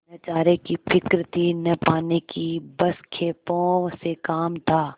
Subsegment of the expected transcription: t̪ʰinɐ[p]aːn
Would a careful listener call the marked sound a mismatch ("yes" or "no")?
no